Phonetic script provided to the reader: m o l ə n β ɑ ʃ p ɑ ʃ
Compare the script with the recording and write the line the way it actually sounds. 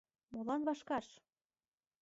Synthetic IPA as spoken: m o l ɑ n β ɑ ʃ k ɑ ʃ